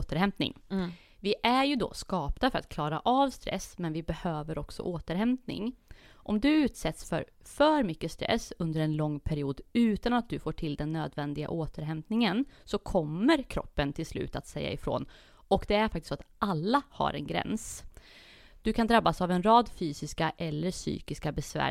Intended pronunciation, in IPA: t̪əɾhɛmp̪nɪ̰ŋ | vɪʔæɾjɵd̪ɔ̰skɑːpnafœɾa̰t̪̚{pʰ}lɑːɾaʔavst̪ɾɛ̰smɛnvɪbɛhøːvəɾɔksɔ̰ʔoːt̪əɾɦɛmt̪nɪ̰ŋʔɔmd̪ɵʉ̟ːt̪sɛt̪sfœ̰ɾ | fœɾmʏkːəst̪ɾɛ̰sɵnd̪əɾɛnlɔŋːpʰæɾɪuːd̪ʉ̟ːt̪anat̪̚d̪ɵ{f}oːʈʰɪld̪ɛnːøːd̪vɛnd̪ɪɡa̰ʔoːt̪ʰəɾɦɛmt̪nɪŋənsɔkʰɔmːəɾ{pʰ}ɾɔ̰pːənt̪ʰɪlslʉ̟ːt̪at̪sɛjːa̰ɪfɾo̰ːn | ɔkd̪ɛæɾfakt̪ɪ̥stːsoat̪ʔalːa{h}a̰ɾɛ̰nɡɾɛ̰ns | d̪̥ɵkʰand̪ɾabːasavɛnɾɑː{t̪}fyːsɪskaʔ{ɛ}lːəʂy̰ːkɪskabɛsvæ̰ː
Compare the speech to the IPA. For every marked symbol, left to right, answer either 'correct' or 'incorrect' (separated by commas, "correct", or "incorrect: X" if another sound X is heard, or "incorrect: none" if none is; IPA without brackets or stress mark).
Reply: incorrect: kʰ, correct, incorrect: kʰ, correct, incorrect: d̪, correct